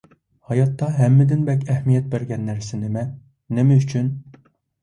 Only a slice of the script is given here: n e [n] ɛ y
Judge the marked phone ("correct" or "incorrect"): incorrect